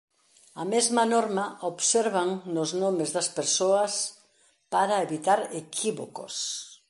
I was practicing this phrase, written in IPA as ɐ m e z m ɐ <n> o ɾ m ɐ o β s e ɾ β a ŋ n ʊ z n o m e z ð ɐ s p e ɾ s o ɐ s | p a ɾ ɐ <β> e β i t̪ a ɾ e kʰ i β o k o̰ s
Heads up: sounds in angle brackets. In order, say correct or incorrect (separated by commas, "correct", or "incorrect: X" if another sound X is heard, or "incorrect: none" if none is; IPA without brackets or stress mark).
correct, incorrect: none